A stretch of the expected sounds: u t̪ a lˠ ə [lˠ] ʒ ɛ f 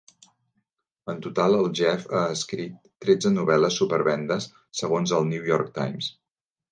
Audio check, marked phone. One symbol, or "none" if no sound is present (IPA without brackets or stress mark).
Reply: lˠ